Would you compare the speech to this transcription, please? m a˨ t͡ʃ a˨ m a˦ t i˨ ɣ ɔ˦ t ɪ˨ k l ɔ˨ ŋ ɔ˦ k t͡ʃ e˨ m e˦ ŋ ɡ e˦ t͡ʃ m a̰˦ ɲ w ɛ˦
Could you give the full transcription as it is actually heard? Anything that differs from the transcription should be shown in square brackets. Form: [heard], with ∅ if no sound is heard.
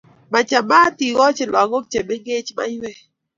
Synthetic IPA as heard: m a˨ t͡ʃ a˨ m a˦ t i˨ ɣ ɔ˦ [t͡ʃ] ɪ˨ [∅] l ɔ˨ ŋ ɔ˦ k t͡ʃ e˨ m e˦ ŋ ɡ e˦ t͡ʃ m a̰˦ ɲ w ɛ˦